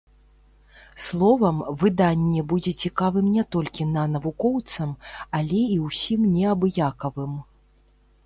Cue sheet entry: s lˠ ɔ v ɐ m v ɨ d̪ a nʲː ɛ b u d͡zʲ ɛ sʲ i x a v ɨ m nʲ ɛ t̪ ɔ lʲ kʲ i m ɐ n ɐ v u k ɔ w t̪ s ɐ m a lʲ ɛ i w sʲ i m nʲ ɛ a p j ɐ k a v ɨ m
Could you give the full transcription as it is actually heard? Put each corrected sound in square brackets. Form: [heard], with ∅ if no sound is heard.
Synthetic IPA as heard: s lˠ ɔ v ɐ m v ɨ d̪ a nʲː ɛ b u d͡zʲ ɛ [t͡sʲ] i [k] a v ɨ m nʲ ɛ t̪ ɔ lʲ kʲ i [n] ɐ n ɐ v u k ɔ w t̪ s ɐ m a lʲ ɛ i w sʲ i m nʲ ɛ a [b] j [a] k [ɐ] v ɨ m